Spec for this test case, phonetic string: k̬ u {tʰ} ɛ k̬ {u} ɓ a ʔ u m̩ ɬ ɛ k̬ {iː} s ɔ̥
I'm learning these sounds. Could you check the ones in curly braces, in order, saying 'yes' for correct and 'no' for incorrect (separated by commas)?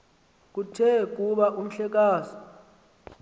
yes, yes, no